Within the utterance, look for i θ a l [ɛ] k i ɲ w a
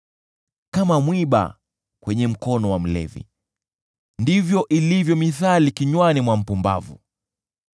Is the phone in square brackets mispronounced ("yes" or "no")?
yes